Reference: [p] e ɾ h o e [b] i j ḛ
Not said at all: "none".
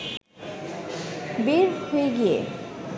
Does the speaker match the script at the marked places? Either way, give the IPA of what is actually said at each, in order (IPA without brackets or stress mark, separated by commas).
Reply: b, ɡ